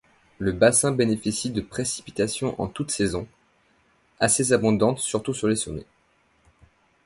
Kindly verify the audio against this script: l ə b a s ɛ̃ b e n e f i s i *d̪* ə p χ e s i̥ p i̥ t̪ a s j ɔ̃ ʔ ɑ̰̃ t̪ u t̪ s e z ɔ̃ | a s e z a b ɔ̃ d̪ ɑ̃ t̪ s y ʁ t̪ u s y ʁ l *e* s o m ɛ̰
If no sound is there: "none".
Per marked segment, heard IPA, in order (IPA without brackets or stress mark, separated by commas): d̪, e